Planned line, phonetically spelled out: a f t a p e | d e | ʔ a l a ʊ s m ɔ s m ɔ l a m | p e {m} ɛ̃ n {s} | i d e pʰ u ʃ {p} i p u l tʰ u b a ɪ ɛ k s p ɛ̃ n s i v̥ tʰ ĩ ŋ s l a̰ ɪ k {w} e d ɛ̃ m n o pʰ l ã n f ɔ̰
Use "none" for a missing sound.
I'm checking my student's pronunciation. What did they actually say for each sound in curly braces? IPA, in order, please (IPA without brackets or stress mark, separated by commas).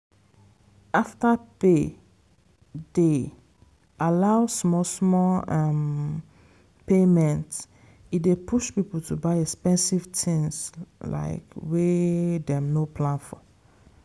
m, t, p, w